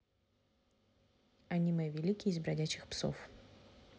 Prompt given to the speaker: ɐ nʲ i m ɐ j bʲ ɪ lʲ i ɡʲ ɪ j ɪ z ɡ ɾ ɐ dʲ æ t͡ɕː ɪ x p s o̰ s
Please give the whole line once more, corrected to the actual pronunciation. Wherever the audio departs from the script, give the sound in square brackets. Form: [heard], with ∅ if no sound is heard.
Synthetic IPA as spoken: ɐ nʲ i m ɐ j [vʲ] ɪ lʲ i [kʲ] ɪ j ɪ z [b] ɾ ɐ dʲ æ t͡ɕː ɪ x p s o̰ [f]